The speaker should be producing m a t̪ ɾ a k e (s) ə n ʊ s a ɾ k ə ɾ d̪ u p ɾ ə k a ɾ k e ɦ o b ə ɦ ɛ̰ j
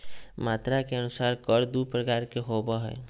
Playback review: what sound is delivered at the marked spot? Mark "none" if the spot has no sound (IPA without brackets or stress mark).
none